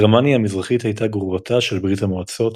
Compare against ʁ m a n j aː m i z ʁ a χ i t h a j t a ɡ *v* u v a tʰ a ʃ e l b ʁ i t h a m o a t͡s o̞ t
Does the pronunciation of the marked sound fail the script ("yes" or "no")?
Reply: yes